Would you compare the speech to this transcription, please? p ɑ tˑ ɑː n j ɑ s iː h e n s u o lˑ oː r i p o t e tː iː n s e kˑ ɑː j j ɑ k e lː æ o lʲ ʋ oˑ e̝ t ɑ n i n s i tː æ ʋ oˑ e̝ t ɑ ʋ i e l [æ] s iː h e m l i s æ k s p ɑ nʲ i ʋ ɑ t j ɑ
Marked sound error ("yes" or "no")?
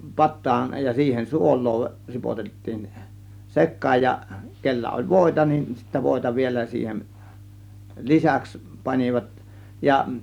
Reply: no